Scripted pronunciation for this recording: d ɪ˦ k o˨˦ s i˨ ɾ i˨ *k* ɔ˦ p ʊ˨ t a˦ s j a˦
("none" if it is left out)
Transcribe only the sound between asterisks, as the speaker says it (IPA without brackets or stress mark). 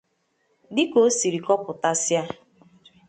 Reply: k